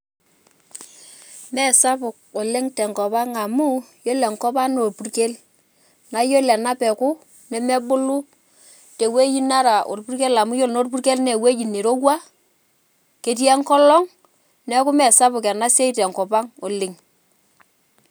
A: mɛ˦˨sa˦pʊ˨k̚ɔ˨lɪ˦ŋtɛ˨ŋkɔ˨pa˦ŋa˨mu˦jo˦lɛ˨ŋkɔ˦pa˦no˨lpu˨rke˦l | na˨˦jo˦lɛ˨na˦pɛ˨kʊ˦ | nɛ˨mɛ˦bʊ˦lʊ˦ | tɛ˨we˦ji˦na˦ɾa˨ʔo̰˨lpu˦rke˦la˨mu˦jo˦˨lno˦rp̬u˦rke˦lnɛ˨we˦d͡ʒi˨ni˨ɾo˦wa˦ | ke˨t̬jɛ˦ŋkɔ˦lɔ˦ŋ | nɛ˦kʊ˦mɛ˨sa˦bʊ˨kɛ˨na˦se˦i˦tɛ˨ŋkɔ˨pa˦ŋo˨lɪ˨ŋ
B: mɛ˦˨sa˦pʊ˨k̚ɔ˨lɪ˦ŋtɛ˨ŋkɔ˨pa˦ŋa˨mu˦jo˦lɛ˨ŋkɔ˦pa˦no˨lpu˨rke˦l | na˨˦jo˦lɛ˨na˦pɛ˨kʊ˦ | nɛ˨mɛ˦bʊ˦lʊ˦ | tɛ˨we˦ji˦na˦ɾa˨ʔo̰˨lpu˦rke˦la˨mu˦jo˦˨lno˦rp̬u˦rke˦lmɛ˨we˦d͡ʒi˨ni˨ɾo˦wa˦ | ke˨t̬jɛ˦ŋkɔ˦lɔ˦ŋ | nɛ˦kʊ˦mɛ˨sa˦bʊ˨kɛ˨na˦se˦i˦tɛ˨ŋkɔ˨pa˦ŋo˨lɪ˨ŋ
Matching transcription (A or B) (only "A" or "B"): A